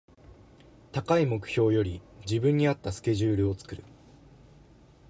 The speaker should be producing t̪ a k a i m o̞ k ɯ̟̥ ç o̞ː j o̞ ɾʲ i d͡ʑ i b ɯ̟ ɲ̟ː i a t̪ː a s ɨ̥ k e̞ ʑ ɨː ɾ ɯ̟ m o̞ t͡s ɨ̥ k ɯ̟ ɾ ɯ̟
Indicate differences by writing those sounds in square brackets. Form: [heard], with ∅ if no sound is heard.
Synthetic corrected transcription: t̪ a k a i m o̞ k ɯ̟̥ ç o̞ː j o̞ ɾʲ i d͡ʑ i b [ɯ̟̃] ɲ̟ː i a t̪ː a s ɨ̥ k e̞ ʑ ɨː ɾ ɯ̟ [∅] o̞ t͡s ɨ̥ k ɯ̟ ɾ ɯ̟